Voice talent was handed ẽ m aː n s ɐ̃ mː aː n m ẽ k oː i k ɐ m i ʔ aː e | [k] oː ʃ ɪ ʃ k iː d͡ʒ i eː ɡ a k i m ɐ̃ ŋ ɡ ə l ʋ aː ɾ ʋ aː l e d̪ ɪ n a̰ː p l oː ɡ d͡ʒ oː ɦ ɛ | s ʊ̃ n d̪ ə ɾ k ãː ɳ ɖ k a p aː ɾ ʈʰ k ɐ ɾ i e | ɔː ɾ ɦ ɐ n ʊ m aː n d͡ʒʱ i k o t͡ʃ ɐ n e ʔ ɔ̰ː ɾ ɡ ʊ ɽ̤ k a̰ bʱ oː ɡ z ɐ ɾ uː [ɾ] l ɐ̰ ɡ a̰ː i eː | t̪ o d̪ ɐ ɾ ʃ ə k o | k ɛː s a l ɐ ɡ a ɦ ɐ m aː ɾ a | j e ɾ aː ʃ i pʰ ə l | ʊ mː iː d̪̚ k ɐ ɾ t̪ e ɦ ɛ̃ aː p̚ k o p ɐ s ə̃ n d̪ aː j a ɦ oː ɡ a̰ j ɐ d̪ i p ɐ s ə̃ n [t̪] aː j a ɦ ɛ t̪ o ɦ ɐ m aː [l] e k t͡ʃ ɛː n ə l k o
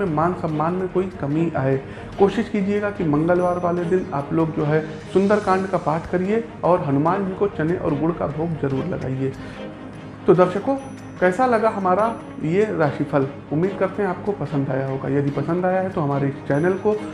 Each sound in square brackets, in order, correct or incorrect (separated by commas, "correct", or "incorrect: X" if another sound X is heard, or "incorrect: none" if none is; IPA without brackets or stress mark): correct, correct, incorrect: d̪, incorrect: ɾ